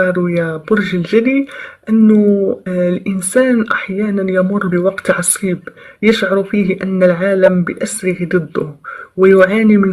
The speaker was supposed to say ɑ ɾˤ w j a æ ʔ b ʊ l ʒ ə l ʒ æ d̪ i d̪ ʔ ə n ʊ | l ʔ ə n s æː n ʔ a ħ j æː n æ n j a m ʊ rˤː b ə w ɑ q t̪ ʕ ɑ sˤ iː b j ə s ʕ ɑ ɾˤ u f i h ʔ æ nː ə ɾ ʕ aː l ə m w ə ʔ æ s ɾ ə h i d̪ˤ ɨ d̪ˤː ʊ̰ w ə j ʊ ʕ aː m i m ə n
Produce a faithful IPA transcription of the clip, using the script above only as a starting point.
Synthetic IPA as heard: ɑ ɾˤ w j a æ b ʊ ɾ ʒ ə l ʒ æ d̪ i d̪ ʔ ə nː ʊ | l ʔ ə n s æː n ʔ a ħ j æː n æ n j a m ʊ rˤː b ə w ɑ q t̪ ʕ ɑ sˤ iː b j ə ʃ ʕ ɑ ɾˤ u f i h ʔ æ nː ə l ʕ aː l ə m b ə ʔ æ s ɾ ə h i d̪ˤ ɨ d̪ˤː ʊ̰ w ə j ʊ ʕ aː n i m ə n